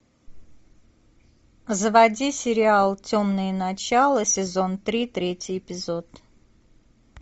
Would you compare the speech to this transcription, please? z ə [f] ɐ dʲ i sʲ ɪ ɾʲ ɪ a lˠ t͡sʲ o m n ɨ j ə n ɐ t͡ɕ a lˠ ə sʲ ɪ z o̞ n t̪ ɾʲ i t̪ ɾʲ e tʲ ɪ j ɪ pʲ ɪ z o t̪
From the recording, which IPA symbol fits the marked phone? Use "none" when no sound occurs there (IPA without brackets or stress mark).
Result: v